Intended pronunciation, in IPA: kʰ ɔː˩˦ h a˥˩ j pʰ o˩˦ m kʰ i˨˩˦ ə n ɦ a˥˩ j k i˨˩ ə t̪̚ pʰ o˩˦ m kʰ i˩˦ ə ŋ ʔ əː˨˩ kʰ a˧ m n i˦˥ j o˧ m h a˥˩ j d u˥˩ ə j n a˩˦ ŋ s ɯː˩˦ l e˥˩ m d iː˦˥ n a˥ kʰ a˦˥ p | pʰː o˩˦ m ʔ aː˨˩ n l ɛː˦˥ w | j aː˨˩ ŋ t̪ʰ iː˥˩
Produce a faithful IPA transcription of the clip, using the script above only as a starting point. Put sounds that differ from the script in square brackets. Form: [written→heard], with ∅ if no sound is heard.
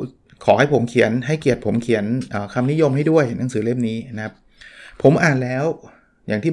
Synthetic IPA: kʰ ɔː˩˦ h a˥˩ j pʰ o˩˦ m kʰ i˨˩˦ ə n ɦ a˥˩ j k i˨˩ ə t̪̚ pʰ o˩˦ m kʰ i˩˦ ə [ŋ→n] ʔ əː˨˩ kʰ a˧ m n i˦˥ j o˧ m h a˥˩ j d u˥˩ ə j n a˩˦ ŋ s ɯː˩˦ l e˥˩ m [d→n] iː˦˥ n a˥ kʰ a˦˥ p | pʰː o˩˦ m ʔ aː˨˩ n l ɛː˦˥ w | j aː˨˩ ŋ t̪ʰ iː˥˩